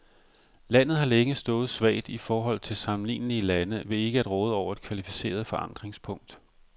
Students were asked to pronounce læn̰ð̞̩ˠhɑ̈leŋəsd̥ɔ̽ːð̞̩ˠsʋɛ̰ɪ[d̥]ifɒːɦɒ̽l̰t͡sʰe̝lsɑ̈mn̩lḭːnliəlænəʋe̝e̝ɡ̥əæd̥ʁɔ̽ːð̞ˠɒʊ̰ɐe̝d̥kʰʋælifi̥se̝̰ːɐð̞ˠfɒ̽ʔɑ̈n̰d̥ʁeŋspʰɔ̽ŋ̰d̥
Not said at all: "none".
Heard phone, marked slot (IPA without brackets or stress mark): d̥